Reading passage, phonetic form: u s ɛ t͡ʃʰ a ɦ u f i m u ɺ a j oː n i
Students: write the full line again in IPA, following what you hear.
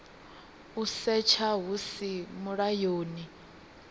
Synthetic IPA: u s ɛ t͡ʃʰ a ɦ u s i m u ɺ a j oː n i